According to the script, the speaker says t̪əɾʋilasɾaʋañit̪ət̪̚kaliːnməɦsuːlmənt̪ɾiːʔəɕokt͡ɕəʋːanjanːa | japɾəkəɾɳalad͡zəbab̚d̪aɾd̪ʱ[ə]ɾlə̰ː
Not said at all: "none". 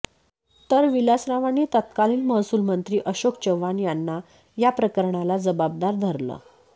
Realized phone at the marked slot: ə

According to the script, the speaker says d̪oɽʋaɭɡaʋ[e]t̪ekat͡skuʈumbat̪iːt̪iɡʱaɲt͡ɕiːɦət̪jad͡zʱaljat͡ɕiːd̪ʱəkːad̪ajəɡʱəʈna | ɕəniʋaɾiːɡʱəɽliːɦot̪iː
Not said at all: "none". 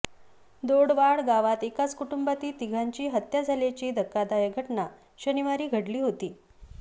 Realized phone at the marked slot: a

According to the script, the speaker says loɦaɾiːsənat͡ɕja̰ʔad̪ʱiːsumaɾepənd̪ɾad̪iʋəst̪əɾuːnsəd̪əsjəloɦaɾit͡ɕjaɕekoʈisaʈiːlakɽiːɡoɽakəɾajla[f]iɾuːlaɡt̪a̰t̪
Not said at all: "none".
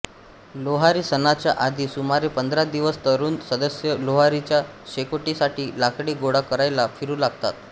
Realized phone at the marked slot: f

